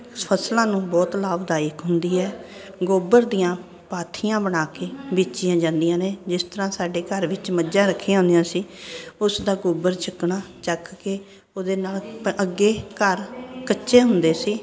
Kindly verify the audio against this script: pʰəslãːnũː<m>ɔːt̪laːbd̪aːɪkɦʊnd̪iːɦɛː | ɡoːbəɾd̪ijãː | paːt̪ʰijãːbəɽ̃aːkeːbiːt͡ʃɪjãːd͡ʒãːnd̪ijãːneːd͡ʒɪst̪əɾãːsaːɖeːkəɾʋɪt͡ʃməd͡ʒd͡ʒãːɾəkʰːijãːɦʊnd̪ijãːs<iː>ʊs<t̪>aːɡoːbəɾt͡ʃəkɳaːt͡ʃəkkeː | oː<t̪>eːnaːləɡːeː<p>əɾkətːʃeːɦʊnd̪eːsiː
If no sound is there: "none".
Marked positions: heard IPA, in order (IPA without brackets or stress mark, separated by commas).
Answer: b, iː, d̪, d̪, k